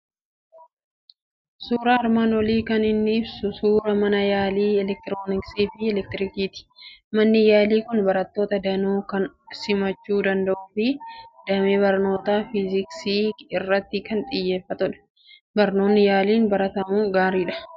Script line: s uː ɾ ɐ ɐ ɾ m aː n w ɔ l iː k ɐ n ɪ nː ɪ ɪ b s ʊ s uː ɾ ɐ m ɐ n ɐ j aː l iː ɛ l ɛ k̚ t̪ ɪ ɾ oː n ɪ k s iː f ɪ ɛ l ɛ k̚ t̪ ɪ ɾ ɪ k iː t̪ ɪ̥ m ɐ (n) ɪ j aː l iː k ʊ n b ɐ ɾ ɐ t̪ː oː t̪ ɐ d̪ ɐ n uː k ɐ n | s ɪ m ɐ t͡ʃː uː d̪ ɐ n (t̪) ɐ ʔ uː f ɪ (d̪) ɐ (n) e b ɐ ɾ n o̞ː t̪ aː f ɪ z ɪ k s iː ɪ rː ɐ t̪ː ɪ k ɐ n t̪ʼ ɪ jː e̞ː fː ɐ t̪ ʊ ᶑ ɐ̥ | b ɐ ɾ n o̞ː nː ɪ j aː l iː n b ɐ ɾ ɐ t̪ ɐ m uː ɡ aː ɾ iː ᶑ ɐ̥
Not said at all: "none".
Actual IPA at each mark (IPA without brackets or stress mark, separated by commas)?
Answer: nː, d̪, d̪, m